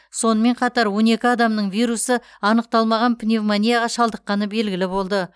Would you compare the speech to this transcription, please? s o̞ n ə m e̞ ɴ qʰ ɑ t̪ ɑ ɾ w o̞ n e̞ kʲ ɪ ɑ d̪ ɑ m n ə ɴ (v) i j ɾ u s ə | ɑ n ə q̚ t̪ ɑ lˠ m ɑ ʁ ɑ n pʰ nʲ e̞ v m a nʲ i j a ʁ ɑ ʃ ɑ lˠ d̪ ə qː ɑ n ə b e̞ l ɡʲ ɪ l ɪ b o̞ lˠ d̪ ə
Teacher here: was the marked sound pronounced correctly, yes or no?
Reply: yes